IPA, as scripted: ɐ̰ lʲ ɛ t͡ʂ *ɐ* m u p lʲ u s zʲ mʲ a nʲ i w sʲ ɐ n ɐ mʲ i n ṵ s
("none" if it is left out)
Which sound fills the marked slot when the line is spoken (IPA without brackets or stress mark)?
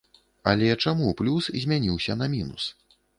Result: a